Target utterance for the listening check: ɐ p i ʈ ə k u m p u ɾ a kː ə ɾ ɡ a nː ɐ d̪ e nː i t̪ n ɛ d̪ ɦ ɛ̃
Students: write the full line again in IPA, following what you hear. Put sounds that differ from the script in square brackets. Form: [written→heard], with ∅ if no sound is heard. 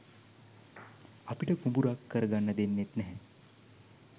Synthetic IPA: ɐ p i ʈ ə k u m [p→b] u ɾ a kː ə ɾ ɡ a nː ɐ d̪ e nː [i→e] t̪ n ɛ [d̪→∅] ɦ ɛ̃